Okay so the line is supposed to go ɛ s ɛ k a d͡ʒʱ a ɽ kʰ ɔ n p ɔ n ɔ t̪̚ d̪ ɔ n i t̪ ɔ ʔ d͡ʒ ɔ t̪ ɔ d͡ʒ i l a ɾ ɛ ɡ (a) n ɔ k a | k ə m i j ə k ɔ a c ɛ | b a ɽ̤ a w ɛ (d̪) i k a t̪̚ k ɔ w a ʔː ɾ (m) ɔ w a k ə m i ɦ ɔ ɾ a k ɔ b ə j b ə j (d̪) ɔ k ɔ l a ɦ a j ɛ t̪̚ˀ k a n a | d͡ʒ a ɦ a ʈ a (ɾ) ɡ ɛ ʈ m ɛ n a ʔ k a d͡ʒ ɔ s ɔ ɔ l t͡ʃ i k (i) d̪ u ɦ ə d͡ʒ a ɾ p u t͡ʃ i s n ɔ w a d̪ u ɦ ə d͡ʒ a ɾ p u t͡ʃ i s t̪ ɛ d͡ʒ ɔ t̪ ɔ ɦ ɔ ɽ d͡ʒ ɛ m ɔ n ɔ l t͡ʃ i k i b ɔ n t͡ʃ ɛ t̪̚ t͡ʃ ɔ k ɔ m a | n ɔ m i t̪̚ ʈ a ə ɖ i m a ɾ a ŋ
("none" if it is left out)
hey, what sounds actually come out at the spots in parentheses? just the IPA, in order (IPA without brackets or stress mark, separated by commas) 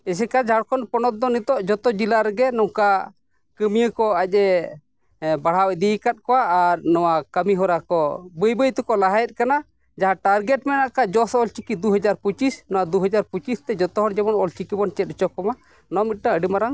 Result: ɛ, d̪, n, t̪, ɾ, i